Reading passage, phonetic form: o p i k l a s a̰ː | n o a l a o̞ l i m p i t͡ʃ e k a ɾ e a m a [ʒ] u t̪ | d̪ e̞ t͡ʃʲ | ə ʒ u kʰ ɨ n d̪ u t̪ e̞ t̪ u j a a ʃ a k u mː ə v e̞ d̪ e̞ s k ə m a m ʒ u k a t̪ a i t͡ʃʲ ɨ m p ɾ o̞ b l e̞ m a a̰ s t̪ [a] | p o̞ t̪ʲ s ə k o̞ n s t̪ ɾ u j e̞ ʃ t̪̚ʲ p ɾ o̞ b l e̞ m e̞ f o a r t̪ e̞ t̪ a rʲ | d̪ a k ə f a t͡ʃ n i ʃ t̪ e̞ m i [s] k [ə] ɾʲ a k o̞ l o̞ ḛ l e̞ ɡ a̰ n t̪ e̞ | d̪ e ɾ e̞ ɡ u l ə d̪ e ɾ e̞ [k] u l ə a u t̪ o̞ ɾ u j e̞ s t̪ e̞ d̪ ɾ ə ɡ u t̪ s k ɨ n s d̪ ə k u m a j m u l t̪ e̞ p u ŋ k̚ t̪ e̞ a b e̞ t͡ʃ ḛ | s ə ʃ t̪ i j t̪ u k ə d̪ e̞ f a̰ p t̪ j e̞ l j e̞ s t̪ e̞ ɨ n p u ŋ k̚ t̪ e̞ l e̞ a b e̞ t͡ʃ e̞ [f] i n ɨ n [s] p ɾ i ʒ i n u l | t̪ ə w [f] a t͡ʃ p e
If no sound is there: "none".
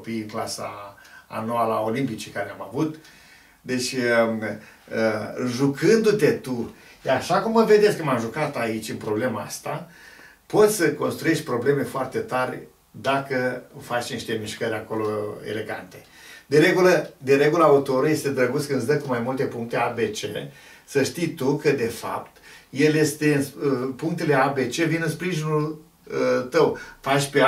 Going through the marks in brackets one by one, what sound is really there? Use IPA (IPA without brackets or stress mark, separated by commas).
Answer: v, a, ʃ, ə, ɡ, v, s, f